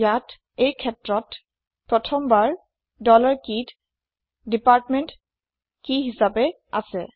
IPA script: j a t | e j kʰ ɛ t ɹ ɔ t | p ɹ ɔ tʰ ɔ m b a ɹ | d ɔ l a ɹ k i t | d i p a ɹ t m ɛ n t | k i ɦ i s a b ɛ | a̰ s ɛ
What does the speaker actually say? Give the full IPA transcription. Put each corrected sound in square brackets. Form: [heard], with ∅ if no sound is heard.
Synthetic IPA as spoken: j a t | e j kʰ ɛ t ɹ ɔ t | p ɹ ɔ tʰ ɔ m b a ɹ | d ɔ l a ɹ k i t | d i p a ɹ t m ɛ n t | k i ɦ i s a b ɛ | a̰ s ɛ